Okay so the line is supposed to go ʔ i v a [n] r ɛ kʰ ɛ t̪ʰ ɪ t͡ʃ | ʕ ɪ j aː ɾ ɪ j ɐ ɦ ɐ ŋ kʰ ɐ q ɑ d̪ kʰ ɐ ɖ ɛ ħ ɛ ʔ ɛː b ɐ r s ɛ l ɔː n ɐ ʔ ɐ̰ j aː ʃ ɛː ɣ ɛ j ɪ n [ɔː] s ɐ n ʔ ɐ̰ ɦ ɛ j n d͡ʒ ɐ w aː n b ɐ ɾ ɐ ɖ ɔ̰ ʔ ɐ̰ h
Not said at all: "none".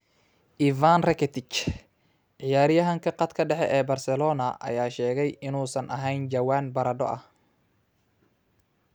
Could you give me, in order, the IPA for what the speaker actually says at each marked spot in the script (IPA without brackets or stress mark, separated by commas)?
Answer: n, uː